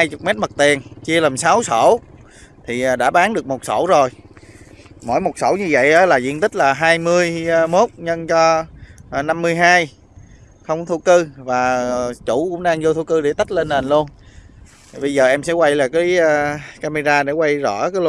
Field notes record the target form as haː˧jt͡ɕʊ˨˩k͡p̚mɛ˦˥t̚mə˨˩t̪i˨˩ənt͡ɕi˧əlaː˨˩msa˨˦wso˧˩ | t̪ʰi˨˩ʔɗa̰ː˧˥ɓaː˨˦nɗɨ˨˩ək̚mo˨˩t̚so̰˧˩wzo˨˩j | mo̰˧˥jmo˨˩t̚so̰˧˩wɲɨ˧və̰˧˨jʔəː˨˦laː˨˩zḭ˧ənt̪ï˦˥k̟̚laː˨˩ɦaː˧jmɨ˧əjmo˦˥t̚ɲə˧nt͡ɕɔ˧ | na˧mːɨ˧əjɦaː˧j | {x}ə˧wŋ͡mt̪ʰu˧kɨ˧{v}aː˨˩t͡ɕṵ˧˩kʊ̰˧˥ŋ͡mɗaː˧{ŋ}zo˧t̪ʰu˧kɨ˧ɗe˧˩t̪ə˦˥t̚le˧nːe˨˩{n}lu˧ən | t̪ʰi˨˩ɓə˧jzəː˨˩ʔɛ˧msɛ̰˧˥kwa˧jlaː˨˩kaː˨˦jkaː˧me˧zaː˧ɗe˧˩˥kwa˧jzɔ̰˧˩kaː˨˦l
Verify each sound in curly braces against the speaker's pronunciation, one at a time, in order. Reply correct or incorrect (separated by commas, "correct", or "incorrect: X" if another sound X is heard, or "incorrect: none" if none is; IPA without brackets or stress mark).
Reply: correct, correct, correct, correct